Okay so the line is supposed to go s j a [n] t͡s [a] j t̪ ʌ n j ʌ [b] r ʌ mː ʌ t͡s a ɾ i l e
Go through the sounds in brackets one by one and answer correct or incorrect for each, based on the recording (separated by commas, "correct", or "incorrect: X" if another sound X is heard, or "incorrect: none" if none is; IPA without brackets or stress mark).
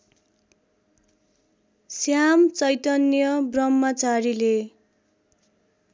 incorrect: m, incorrect: ʌ, correct